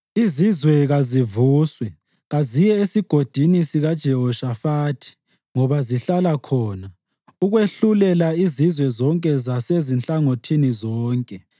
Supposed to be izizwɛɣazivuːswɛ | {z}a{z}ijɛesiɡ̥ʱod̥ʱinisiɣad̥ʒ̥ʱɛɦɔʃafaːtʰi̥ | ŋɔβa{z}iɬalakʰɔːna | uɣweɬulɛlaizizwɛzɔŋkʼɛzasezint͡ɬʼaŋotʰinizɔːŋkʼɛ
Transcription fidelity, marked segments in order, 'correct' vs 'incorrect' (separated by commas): incorrect, correct, correct